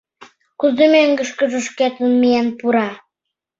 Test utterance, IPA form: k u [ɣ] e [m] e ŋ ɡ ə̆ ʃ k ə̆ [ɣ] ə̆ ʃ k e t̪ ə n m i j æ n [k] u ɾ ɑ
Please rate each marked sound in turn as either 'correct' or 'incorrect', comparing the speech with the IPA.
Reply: incorrect: z, correct, incorrect: ʒ, incorrect: p

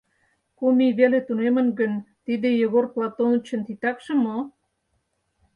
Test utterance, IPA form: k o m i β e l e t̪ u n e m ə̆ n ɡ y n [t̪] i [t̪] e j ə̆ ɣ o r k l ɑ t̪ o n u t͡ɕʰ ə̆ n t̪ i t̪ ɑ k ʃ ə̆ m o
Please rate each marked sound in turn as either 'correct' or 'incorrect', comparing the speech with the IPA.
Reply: correct, incorrect: d̪

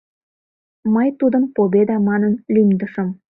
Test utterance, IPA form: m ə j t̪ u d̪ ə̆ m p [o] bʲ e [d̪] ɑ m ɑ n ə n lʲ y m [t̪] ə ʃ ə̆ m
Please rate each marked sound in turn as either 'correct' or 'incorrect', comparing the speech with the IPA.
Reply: correct, correct, incorrect: d̪

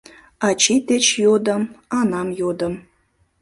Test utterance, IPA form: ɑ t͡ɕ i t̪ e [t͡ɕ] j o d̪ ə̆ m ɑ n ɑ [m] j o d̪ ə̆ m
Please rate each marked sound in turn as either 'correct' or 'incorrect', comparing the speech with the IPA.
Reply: correct, correct

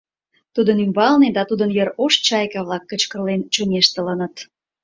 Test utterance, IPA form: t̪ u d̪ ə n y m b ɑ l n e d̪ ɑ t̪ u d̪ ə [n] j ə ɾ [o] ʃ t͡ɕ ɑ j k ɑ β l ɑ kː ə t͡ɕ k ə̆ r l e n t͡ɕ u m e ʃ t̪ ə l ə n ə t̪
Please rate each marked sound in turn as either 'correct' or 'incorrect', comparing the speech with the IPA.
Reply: correct, correct

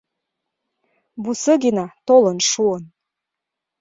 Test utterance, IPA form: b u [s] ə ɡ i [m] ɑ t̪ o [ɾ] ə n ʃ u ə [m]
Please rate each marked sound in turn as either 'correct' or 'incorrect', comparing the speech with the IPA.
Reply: correct, incorrect: n, incorrect: l, incorrect: n

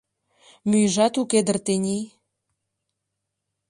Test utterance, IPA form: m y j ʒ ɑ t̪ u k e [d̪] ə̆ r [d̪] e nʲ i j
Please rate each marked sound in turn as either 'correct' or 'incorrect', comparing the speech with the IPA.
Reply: correct, incorrect: t̪

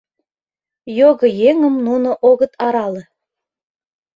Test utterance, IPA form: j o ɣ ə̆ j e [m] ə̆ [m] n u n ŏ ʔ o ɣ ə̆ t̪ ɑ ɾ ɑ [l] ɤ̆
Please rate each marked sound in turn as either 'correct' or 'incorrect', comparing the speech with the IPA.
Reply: incorrect: ŋ, correct, correct

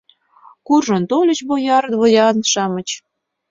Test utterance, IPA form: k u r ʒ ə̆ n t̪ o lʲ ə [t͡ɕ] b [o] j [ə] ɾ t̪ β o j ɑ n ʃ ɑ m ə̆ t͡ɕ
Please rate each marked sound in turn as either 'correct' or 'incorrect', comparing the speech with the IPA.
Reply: correct, correct, incorrect: ɑ

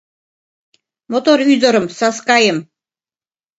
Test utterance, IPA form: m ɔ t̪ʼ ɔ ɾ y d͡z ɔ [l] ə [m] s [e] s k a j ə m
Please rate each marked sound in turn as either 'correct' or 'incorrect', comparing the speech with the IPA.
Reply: incorrect: ɾ, correct, incorrect: a

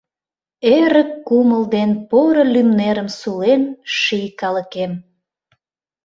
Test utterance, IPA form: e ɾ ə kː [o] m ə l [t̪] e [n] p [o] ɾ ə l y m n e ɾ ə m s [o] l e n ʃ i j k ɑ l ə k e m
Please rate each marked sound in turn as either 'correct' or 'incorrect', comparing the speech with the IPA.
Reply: incorrect: u, incorrect: d̪, correct, correct, incorrect: u

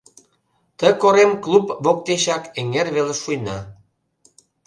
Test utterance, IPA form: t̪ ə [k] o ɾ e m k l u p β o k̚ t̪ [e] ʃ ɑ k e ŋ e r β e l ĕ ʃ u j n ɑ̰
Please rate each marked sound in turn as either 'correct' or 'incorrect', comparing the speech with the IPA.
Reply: correct, correct

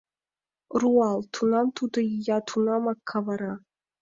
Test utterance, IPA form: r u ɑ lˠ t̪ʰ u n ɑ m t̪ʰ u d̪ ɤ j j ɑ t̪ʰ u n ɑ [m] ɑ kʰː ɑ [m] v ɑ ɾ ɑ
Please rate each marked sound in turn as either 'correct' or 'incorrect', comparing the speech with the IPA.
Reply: correct, incorrect: none

